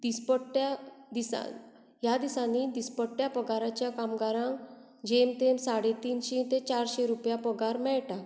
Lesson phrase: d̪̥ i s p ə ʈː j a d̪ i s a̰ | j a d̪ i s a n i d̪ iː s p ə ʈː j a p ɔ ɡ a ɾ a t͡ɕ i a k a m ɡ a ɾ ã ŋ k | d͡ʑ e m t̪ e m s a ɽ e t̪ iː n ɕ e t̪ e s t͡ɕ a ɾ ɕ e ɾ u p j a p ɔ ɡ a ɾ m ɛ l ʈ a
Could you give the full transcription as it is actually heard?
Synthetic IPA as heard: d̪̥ i s p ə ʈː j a d̪ i s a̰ | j a d̪ i s a n i d̪ i s p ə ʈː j a p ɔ ɡ a ɾ a t͡ɕ j a k a m ɡ a ɾ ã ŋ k | d͡ʑ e m t̪ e m s a ɽ e t̪ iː n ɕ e t̪ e t͡ɕ a ɾ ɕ e ɾ u p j a p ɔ ɡ a ɾ m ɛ ɭ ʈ a